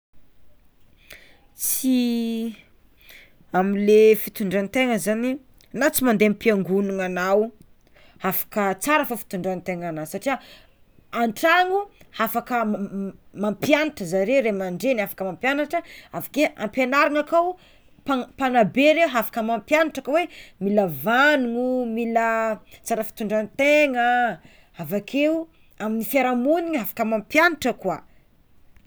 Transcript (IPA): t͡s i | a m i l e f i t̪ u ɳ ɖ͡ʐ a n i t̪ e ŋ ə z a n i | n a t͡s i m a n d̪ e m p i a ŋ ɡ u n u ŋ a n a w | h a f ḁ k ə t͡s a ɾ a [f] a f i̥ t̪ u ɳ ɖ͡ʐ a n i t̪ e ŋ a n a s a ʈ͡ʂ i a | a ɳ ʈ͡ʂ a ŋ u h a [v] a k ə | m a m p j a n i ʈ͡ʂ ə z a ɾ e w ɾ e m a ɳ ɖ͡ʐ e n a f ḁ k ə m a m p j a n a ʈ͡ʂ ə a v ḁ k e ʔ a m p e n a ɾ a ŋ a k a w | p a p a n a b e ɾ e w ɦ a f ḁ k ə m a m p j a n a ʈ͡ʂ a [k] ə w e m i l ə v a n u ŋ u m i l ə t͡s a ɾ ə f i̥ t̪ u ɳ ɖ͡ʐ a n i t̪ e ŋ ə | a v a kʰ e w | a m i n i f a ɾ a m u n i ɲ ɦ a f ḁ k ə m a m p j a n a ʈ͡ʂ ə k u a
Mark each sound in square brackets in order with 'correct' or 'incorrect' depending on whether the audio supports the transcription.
correct, incorrect, correct

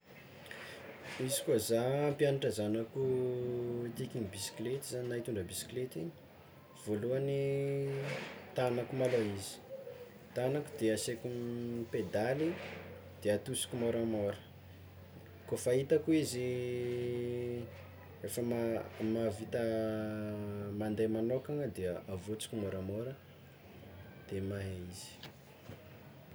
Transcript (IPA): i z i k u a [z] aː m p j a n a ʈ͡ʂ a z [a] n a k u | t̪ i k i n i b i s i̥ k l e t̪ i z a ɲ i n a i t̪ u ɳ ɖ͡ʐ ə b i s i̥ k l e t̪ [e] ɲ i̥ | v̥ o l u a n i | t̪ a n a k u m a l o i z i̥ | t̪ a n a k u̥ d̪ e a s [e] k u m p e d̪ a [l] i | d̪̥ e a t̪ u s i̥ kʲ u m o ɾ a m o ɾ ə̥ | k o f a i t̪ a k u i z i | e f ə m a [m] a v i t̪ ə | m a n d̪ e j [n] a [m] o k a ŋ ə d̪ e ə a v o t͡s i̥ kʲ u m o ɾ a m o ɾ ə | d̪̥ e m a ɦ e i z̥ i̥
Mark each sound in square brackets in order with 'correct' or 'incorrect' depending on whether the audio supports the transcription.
correct, correct, incorrect, correct, correct, correct, incorrect, incorrect

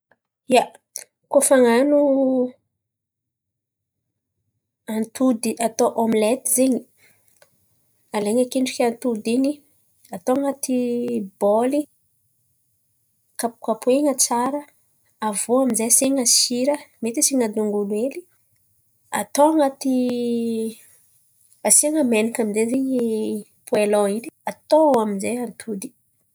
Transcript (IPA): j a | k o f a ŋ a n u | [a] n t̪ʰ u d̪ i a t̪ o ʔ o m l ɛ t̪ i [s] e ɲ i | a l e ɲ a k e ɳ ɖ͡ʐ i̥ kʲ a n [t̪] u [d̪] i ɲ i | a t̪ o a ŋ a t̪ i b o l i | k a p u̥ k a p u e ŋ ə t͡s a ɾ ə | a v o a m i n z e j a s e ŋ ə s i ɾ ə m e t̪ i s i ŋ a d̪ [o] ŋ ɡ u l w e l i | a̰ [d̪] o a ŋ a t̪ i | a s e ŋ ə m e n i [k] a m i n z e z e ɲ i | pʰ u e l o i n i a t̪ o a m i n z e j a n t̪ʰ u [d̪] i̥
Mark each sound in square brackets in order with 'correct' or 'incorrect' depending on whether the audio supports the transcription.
correct, incorrect, correct, correct, incorrect, incorrect, correct, correct

